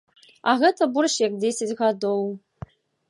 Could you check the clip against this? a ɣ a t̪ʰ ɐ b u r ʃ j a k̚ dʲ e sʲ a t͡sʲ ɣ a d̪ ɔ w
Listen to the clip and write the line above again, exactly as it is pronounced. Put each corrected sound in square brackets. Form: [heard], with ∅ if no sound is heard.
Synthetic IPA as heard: a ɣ [ɛ] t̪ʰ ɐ b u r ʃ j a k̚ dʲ e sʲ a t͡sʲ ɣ a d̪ [o] w

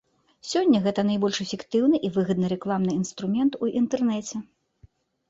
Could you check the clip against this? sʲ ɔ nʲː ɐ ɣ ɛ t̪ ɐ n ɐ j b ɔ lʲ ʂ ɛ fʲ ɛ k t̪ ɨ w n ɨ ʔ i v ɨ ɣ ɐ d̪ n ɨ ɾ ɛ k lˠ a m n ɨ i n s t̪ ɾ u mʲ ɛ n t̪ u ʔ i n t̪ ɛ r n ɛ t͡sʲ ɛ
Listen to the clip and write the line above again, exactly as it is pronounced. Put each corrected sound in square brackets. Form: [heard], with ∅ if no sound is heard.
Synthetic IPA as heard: sʲ ɔ nʲː ɐ ɣ ɛ t̪ ɐ n ɐ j b ɔ lʲ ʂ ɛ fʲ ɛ k t̪ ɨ w n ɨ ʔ i v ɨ ɣ ɐ d̪ n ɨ ɾ ɛ k lˠ a m n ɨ i n s t̪ ɾ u mʲ ɛ n t̪ u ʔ i n t̪ ɛ r n ɛ t͡sʲ ɛ

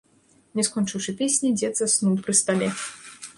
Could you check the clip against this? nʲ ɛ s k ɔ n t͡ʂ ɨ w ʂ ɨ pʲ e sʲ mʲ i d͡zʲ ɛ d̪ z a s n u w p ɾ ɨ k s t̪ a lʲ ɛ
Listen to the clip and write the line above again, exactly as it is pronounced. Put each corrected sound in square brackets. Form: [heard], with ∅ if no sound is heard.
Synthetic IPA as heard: nʲ ɛ s k ɔ n t͡ʂ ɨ w ʂ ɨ pʲ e sʲ [nʲ] i d͡zʲ ɛ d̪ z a s n u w p ɾ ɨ [∅] s t̪ a lʲ ɛ

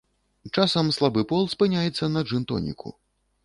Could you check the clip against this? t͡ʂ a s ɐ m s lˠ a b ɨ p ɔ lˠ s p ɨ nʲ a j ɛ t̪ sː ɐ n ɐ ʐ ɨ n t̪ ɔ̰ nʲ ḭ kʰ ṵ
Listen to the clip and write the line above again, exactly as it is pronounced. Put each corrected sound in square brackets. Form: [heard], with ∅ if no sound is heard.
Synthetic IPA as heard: t͡ʂ a s ɐ m s lˠ a b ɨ p ɔ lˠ s p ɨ nʲ a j ɛ t̪ sː ɐ n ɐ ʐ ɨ n t̪ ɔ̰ nʲ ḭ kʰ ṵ

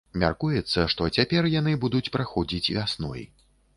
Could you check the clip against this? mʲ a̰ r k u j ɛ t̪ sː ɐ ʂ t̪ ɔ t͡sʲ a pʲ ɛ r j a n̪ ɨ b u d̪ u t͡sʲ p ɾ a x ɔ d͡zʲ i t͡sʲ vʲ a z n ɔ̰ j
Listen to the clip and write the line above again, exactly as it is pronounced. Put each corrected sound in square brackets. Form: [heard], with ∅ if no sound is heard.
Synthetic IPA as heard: mʲ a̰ r k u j ɛ t̪ sː ɐ ʂ t̪ ɔ t͡sʲ a pʲ ɛ r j a n̪ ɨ b u d̪ u t͡sʲ p ɾ a x ɔ d͡zʲ i t͡sʲ vʲ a [s] n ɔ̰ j

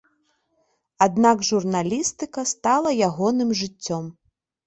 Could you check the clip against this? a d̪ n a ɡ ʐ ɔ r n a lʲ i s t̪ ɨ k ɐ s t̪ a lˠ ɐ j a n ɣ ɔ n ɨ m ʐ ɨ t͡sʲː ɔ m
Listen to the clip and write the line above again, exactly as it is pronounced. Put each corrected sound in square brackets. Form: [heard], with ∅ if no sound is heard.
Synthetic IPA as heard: a d̪ n a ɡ ʐ [u] r n a lʲ i s t̪ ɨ k ɐ s t̪ a lˠ ɐ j a [∅] ɣ ɔ n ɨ m ʐ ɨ t͡sʲː ɔ m

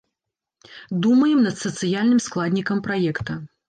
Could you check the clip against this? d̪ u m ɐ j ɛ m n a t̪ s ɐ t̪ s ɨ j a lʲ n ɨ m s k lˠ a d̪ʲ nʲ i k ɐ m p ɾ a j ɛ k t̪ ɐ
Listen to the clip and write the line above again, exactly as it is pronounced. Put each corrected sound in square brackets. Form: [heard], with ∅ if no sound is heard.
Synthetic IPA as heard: d̪ u m ɐ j ɛ m n [ɐ] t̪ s ɐ t̪ s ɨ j a lʲ n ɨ m s k lˠ a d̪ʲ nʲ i k ɐ m p ɾ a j ɛ k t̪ ɐ

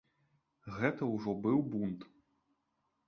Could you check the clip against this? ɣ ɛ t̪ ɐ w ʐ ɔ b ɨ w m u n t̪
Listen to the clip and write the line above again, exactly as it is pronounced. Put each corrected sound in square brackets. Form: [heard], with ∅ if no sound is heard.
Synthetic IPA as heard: ɣ ɛ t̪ ɐ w ʐ ɔ b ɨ w [b] u n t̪

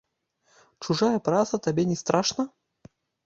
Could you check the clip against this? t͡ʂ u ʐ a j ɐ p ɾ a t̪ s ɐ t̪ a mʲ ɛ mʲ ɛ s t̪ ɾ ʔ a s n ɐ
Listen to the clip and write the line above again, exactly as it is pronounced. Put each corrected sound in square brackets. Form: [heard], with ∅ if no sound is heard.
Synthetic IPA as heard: t͡ʂ u ʐ a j ɐ p ɾ a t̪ s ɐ t̪ a [bʲ] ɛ [nʲ] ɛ s t̪ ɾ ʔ a [ʂ] n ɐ

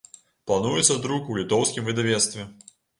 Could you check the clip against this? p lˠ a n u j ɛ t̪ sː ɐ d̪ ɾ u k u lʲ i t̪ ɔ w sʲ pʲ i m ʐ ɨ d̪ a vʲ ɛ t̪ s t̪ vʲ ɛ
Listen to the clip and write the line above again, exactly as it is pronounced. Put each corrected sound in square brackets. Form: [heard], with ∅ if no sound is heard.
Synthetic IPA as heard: p lˠ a n u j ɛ t̪ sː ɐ d̪ ɾ u k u lʲ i t̪ ɔ w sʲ [kʲ] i m [v] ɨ d̪ a vʲ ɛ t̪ s t̪ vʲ ɛ

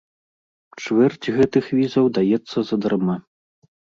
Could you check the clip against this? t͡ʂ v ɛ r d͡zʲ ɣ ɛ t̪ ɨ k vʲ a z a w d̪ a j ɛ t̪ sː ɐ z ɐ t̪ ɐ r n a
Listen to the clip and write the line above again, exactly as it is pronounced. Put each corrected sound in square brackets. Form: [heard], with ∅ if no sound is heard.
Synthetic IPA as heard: t͡ʂ v ɛ r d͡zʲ ɣ ɛ t̪ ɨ [x] vʲ [i] z [ɐ] w d̪ a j ɛ t̪ sː ɐ z ɐ [d̪] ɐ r [m] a

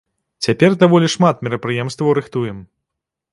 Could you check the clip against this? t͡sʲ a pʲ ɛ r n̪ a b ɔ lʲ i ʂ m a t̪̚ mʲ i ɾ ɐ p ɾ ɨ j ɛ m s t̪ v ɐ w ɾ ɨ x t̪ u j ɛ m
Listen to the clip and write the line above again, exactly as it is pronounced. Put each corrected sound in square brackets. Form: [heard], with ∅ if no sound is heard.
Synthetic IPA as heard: t͡sʲ a pʲ ɛ r [d̪] a [v] ɔ lʲ i ʂ m a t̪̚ mʲ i ɾ ɐ p ɾ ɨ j ɛ m s t̪ v ɐ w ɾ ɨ x t̪ u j ɛ m

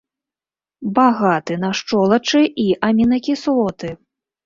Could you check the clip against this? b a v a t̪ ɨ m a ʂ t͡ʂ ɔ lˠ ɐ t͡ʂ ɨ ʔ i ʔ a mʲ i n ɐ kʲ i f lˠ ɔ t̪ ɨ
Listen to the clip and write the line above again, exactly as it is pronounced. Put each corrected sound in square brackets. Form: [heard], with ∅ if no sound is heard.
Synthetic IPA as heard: b a [ɣ] a t̪ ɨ [n] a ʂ t͡ʂ ɔ lˠ ɐ t͡ʂ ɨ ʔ i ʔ a mʲ i n ɐ kʲ i [s] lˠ ɔ t̪ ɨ

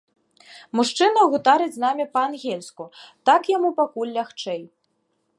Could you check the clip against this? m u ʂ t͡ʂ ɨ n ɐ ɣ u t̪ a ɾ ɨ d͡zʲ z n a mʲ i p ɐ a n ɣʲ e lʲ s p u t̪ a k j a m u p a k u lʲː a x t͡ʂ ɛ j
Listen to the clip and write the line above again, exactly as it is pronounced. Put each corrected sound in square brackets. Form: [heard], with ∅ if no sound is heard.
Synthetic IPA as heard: m u ʂ t͡ʂ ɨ n ɐ ɣ u t̪ a ɾ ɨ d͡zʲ z n a mʲ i p ɐ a n ɣʲ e lʲ s [k] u t̪ a k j a m u p a k u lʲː a x t͡ʂ ɛ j

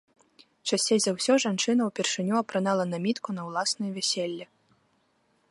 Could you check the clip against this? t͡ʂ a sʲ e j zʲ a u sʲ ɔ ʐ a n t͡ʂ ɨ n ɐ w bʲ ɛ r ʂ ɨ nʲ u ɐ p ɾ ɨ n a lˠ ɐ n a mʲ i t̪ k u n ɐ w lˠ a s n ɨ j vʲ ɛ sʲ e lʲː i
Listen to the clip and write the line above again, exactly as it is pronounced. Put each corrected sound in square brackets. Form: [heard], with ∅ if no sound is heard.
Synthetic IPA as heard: t͡ʂ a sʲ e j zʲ a [w] sʲ ɔ ʐ a n t͡ʂ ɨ n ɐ w [pʲ] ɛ r ʂ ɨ nʲ u ɐ p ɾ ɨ n a lˠ ɐ n a mʲ i t̪ k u n ɐ w lˠ a s n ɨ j vʲ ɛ sʲ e lʲː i

